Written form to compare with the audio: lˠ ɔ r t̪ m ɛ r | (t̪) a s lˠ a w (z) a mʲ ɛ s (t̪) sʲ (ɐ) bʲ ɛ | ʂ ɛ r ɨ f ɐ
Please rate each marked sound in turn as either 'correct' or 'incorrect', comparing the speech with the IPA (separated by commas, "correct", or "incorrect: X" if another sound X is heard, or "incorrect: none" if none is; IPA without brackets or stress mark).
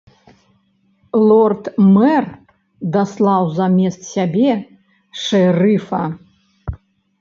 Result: incorrect: d̪, correct, correct, incorrect: a